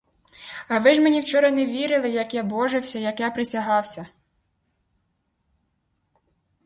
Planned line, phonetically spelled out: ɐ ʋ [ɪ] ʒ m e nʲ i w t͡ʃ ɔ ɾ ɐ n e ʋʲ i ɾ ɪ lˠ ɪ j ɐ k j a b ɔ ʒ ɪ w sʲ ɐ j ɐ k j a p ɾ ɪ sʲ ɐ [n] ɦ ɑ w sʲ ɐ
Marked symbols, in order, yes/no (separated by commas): yes, no